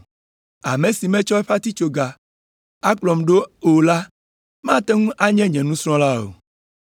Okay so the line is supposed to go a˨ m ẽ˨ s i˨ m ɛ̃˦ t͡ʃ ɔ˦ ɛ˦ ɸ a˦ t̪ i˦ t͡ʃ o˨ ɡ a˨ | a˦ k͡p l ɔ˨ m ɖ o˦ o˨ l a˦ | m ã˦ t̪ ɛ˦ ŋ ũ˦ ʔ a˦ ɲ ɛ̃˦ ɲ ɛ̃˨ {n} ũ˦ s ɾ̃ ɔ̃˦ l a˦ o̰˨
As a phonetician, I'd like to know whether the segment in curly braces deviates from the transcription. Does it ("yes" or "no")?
no